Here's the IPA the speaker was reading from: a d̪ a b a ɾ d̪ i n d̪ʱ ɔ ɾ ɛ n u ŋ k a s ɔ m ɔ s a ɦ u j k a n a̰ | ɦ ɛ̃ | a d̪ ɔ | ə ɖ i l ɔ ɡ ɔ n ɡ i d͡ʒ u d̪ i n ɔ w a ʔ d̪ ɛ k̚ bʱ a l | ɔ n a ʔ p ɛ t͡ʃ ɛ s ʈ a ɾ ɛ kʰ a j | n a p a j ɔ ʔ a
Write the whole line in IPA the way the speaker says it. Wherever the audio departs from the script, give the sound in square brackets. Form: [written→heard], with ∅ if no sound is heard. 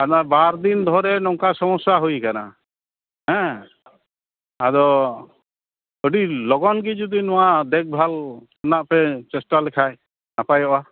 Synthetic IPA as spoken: a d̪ a b a ɾ d̪ i n d̪ʱ ɔ ɾ ɛ n [u→ɔ] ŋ k a s ɔ m ɔ s a ɦ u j k a n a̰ | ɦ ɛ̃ | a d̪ ɔ | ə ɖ i l ɔ ɡ ɔ n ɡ i d͡ʒ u d̪ i n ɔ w a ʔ d̪ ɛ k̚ bʱ a l | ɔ n a ʔ p ɛ t͡ʃ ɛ s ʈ a [ɾ→l] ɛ kʰ a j | n a p a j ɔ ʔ a